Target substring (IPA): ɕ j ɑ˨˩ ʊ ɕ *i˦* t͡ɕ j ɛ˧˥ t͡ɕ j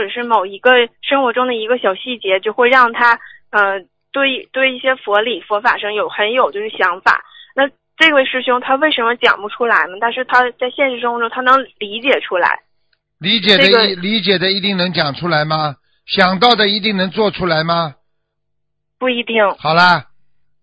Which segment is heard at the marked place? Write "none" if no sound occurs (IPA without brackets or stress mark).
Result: i˥˩